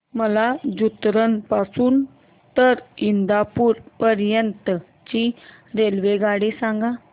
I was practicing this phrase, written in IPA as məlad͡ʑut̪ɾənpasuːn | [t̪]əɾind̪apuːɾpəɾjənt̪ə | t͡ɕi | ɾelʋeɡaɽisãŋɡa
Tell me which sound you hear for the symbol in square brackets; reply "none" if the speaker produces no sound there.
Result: t̪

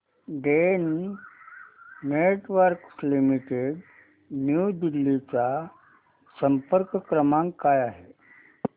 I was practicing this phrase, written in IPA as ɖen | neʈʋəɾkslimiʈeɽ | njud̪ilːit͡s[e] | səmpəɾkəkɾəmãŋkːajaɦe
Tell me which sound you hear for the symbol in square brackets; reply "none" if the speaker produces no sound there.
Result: a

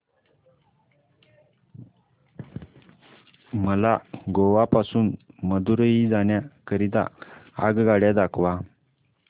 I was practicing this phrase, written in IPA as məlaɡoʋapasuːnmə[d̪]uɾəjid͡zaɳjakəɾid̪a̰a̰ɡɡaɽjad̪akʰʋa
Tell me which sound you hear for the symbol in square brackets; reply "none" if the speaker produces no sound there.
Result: d̪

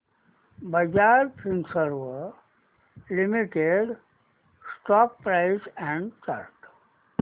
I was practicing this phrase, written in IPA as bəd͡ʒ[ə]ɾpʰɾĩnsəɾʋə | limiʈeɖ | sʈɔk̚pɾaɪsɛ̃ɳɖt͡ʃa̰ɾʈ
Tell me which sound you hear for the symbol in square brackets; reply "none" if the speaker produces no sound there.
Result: a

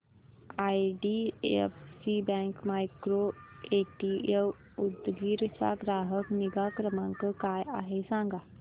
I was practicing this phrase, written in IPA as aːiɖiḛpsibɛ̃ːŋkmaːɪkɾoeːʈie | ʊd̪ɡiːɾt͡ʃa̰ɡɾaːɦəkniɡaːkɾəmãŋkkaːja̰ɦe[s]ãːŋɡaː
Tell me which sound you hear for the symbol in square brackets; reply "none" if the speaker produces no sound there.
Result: s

